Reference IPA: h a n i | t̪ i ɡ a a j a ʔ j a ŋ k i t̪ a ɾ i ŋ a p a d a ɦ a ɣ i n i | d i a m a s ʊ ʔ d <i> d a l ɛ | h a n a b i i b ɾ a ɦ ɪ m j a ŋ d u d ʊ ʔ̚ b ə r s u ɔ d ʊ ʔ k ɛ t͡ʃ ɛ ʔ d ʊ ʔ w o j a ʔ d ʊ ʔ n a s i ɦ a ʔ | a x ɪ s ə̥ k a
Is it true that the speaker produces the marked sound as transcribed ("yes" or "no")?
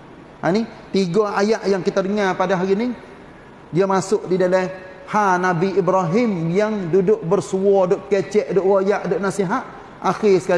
yes